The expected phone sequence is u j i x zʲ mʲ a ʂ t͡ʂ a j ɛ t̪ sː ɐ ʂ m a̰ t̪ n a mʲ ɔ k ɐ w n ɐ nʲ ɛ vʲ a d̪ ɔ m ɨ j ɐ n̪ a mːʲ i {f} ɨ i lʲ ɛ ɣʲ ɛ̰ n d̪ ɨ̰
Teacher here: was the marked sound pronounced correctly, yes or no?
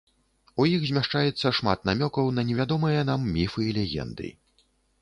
yes